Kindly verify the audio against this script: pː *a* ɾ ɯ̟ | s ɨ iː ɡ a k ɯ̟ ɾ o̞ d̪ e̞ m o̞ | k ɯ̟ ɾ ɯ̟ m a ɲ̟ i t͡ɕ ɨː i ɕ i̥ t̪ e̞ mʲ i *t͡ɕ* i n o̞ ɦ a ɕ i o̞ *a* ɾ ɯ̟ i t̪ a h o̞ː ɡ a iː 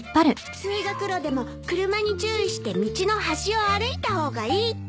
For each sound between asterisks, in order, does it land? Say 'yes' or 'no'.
yes, yes, yes

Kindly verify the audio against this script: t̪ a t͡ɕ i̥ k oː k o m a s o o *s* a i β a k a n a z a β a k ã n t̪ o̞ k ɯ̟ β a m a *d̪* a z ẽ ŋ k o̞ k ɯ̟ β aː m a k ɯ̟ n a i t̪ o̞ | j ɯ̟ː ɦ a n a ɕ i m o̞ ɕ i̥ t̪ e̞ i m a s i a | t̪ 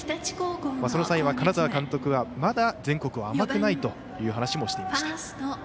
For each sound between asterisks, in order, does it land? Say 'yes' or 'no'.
yes, yes

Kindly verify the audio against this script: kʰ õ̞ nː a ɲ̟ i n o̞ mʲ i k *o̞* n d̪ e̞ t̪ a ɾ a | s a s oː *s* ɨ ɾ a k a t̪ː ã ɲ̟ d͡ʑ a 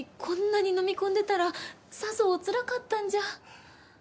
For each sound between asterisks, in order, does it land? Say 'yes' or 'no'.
no, no

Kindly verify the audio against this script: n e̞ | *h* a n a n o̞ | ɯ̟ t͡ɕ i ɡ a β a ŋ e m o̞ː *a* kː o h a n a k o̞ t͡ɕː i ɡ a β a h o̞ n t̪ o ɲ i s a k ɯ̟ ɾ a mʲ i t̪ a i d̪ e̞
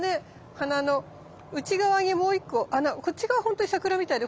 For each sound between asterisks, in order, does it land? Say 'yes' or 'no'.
yes, no

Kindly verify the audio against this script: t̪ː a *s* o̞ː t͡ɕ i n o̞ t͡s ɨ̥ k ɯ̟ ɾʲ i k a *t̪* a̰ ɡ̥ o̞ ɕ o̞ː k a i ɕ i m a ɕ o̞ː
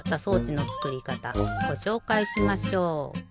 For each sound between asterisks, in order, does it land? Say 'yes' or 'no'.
yes, yes

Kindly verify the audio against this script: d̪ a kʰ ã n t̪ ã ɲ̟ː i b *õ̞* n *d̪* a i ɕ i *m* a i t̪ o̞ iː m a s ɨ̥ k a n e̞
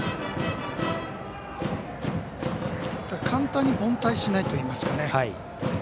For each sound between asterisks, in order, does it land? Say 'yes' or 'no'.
yes, no, no

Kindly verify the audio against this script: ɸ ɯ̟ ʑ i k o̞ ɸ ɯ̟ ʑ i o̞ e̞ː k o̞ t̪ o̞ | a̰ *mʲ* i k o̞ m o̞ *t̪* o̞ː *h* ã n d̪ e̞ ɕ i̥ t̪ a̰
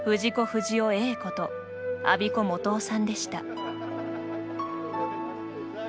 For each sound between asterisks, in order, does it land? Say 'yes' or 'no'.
no, yes, no

